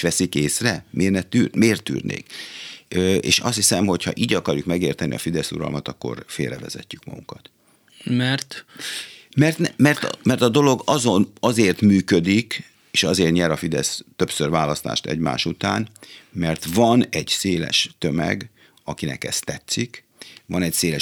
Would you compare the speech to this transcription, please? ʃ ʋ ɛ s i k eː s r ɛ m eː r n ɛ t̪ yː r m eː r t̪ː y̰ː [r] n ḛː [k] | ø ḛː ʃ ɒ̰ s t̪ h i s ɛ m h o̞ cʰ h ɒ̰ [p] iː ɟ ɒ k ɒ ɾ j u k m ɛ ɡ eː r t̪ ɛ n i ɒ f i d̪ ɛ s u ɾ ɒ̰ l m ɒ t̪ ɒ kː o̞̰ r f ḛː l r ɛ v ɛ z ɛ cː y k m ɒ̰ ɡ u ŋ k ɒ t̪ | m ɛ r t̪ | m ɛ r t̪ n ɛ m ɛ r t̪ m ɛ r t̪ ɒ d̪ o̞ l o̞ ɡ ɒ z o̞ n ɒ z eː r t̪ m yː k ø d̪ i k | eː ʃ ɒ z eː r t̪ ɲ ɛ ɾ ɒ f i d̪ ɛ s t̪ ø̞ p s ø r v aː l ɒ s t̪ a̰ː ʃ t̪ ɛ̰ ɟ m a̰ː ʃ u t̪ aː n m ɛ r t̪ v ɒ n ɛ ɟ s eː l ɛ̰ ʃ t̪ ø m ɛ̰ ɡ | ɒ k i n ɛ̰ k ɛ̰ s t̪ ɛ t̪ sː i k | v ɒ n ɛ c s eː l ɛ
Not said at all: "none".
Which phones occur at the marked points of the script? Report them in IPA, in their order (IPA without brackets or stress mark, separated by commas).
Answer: r, k, ʔ